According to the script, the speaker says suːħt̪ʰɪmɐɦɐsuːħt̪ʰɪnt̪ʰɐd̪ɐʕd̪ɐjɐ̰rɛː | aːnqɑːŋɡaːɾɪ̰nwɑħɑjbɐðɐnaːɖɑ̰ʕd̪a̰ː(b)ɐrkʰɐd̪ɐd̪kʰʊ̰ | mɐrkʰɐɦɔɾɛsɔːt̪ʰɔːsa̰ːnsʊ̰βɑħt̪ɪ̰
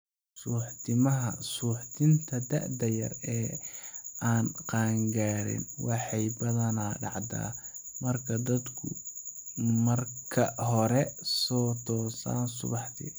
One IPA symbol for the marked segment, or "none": m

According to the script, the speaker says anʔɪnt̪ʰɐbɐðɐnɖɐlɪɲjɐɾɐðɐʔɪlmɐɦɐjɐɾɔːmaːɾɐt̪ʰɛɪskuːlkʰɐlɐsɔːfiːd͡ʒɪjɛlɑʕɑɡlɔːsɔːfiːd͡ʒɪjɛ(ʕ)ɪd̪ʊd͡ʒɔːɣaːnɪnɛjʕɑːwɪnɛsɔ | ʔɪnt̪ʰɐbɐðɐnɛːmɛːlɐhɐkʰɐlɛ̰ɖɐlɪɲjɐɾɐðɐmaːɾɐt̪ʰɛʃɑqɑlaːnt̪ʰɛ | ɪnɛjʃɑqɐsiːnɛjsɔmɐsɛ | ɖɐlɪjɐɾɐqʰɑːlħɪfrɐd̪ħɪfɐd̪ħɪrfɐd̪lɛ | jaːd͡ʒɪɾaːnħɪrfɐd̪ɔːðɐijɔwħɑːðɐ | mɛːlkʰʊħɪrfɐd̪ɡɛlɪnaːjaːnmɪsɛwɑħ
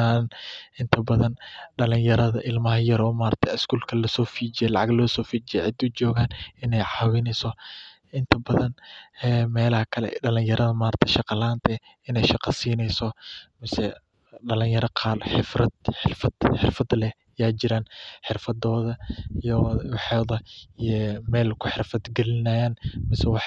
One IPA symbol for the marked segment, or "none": ʕ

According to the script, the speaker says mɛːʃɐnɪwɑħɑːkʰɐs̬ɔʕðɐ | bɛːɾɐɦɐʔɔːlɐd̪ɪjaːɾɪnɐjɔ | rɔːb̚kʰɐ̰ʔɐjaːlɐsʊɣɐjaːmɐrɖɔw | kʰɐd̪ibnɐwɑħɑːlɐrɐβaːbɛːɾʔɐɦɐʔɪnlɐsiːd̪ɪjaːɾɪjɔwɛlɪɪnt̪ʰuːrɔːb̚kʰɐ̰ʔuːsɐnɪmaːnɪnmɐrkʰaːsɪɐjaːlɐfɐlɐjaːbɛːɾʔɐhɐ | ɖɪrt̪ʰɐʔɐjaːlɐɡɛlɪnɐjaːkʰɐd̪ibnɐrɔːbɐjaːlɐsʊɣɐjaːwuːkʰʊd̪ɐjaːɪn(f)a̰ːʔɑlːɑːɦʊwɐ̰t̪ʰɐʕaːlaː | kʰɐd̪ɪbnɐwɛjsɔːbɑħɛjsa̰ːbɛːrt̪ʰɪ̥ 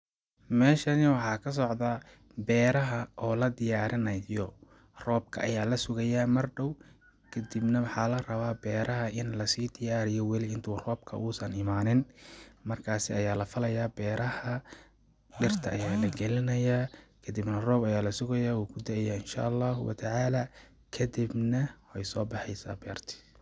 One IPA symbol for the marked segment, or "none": ʃ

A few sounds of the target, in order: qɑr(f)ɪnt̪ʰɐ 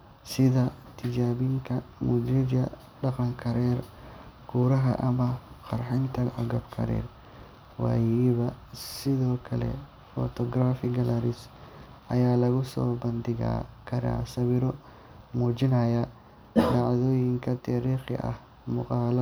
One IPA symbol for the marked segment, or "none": ħ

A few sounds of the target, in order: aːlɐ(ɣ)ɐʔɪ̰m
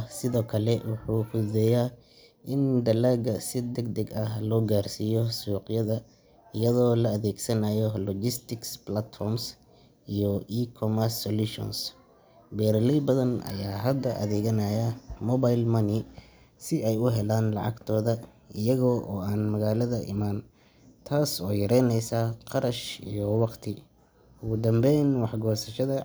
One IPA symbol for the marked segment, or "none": ð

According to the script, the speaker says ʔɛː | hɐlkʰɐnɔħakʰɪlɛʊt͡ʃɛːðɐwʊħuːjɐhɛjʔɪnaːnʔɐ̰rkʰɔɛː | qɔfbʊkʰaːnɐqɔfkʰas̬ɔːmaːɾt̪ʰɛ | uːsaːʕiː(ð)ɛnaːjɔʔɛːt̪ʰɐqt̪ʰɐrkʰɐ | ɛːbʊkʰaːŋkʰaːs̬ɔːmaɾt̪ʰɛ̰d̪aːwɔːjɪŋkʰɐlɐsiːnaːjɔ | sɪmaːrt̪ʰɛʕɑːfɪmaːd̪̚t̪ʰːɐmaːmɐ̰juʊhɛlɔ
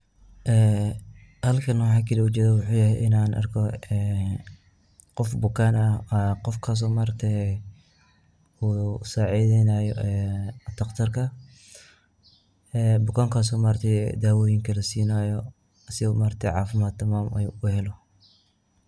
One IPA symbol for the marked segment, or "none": ð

